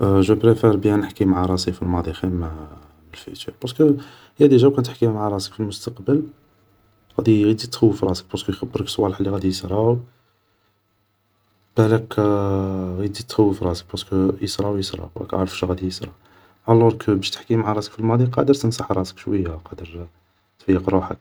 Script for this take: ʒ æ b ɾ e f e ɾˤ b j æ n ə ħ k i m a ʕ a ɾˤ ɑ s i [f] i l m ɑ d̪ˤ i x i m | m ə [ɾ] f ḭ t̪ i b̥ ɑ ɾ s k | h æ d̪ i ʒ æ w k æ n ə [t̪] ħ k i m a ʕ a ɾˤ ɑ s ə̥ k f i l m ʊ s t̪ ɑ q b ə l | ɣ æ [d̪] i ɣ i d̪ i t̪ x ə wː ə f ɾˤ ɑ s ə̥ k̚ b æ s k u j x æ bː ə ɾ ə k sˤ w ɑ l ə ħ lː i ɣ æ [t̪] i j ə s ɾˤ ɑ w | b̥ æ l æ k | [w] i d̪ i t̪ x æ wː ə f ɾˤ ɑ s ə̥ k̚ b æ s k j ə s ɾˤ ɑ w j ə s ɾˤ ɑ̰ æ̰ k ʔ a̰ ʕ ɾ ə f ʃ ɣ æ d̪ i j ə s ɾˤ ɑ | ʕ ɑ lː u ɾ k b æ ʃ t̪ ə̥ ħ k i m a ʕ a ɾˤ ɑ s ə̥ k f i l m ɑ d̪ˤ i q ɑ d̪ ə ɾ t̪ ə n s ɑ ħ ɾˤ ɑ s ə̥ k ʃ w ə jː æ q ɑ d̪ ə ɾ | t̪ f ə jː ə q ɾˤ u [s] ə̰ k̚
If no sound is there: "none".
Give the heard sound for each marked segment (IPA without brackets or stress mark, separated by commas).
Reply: f, l, t̪, d̪, d̪, ɣ, ħ